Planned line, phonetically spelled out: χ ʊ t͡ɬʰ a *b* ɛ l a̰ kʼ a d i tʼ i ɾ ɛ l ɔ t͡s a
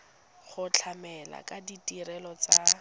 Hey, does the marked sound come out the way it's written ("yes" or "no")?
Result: no